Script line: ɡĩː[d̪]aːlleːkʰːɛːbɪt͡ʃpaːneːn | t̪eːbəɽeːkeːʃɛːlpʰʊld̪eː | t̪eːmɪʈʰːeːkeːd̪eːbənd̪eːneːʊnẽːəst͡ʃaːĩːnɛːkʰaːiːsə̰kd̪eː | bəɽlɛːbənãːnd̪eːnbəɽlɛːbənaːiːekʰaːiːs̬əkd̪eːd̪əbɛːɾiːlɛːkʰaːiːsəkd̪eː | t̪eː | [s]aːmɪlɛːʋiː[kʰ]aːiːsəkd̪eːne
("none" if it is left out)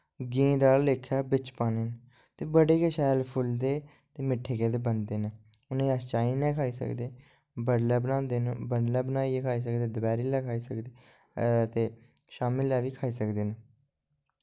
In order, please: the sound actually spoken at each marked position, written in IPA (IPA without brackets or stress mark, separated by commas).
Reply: d̪, ʃ, kʰ